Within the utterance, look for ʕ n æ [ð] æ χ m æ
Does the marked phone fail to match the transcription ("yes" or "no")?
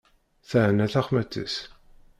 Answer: yes